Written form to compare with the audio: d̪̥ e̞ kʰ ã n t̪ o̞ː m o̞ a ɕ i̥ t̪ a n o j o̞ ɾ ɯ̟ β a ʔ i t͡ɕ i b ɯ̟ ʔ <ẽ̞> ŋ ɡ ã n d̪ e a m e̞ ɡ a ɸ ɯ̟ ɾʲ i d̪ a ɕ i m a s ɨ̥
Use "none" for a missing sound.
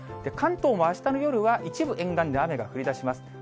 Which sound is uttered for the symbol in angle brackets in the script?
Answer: ẽ̞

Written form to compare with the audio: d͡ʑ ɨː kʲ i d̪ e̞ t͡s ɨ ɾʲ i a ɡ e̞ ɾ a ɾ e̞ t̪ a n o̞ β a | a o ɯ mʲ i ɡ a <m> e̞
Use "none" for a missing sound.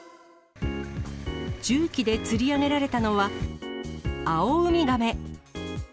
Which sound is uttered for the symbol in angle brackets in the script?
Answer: m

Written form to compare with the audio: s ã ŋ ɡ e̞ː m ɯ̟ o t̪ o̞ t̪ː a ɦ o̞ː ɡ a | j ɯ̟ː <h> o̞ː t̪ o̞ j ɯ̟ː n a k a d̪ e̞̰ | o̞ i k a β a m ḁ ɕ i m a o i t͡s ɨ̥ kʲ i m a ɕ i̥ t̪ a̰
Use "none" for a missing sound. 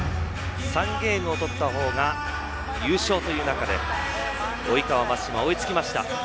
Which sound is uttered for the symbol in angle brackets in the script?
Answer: ɕ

